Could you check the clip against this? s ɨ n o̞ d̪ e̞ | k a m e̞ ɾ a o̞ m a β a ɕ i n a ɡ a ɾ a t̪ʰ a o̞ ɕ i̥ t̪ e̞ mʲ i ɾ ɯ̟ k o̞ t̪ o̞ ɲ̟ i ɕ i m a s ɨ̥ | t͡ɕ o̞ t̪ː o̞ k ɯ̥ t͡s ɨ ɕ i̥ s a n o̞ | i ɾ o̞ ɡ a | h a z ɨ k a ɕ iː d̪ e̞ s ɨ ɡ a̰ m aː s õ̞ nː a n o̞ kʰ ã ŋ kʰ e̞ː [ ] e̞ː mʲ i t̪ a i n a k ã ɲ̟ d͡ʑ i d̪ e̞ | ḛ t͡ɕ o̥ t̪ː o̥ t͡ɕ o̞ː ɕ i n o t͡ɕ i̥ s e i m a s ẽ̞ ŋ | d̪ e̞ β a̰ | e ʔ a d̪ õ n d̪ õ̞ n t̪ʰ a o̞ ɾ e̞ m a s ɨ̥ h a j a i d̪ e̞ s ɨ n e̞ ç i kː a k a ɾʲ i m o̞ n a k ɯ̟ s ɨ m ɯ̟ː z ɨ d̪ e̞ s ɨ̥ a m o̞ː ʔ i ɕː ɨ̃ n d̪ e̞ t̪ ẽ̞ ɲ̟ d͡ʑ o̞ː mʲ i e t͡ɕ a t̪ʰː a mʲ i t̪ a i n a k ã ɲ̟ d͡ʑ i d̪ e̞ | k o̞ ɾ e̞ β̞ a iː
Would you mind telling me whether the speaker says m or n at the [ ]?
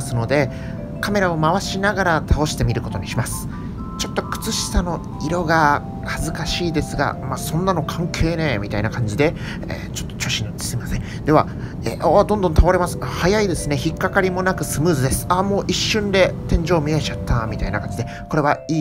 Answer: n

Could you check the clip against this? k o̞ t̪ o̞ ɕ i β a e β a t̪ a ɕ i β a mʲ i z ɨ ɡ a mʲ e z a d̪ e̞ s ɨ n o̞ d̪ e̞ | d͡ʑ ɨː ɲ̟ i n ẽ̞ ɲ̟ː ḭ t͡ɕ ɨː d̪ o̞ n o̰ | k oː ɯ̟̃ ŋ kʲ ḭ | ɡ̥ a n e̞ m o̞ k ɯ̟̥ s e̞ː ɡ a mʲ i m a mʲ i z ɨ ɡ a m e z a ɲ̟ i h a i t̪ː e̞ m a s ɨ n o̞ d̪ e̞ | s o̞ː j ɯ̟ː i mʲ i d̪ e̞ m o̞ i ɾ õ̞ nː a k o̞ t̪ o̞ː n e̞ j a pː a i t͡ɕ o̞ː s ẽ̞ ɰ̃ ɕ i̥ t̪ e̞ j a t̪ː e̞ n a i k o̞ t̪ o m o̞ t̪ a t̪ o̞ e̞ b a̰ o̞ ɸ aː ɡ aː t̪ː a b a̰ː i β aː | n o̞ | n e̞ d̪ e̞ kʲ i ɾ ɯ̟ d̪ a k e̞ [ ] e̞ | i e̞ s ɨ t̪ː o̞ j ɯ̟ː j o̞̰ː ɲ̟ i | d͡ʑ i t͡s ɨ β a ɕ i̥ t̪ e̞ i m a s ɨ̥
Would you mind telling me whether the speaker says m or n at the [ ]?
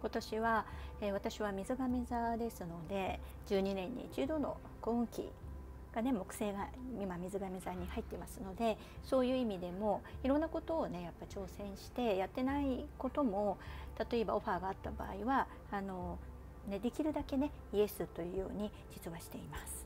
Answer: n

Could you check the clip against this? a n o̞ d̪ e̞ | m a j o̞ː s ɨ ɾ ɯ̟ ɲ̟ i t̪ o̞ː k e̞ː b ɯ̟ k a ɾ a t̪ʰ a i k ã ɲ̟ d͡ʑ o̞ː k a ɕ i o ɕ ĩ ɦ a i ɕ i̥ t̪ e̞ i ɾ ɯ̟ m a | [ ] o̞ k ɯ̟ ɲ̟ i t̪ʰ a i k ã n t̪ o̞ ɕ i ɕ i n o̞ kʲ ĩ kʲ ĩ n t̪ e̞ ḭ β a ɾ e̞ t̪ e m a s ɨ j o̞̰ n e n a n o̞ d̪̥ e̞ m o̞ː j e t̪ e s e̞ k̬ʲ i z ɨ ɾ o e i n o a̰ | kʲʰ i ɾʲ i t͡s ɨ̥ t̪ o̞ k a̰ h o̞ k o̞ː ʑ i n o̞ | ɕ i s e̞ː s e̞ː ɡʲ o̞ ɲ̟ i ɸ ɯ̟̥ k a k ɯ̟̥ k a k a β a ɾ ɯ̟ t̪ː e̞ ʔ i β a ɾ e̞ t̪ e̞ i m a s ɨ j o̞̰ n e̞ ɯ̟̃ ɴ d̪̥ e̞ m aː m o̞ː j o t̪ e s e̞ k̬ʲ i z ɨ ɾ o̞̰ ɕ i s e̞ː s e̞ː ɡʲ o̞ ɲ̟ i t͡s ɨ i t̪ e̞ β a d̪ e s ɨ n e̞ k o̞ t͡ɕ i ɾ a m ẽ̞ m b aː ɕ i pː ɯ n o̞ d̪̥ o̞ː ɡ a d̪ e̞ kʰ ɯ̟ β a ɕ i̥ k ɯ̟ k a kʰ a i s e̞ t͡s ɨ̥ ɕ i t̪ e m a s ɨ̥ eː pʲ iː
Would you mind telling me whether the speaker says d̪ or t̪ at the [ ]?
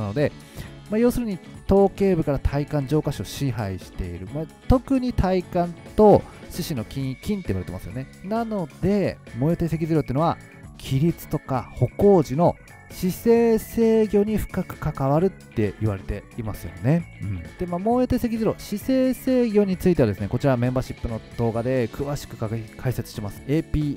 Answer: t̪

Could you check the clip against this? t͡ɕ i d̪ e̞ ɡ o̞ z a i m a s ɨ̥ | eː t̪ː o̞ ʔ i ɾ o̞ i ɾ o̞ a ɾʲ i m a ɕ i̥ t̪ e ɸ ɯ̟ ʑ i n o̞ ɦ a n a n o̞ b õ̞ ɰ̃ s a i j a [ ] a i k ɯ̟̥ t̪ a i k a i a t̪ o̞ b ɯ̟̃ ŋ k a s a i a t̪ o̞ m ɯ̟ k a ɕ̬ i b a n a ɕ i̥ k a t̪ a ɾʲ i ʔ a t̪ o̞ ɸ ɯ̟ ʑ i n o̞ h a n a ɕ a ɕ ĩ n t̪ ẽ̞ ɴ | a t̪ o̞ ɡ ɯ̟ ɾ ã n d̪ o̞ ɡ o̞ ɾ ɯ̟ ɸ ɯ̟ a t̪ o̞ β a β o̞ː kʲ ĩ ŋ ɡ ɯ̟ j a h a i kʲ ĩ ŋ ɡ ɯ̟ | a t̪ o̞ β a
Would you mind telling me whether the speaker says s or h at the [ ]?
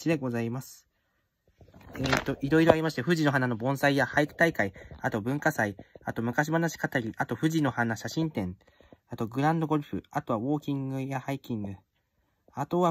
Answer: h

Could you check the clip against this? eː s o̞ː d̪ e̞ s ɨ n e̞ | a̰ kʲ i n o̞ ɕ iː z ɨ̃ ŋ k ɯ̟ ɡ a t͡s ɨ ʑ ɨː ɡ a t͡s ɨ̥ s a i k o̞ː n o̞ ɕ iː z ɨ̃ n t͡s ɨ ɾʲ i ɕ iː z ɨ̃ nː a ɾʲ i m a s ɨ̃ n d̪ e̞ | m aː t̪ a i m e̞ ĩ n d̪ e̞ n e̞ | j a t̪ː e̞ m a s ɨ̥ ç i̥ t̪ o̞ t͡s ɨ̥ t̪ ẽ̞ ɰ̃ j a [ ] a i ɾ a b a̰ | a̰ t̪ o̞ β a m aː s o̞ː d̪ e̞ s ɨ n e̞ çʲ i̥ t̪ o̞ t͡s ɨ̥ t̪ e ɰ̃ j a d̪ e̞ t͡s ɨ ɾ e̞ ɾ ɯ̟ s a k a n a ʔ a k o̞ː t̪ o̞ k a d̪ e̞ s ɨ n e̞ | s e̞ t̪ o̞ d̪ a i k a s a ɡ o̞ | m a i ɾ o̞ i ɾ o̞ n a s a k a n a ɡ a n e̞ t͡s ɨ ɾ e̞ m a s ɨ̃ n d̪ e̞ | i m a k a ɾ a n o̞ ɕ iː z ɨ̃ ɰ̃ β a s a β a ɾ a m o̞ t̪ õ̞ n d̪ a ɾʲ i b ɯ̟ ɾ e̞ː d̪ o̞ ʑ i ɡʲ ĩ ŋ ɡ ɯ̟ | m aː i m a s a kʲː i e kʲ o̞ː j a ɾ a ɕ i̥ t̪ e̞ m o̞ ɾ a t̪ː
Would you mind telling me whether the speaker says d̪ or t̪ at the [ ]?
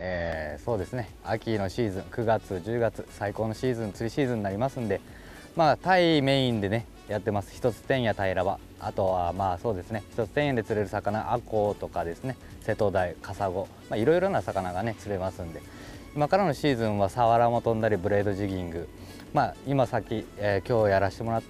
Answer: t̪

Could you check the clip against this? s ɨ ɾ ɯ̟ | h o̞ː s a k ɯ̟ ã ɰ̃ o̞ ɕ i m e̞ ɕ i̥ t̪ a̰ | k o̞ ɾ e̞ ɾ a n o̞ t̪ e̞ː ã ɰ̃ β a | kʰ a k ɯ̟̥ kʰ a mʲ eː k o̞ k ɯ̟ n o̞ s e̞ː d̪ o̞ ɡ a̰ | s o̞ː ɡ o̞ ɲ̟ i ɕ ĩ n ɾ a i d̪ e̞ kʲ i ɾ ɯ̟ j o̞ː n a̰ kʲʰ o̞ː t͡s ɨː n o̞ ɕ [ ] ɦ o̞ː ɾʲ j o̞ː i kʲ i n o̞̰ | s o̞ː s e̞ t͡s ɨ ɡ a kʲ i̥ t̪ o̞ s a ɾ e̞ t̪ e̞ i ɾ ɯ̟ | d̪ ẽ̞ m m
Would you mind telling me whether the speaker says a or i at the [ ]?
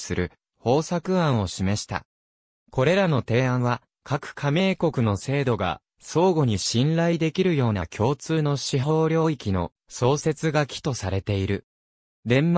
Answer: i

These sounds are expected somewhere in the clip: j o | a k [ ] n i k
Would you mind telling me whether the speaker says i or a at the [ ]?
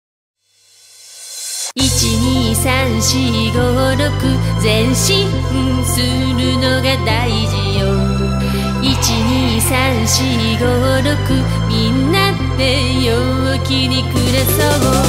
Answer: i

